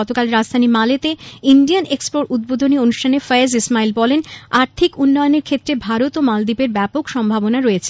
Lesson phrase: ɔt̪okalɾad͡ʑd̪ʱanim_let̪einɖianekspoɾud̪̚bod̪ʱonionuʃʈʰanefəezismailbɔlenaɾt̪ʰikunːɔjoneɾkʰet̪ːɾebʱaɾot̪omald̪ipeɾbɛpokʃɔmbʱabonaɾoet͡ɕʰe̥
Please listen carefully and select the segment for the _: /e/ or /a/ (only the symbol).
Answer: a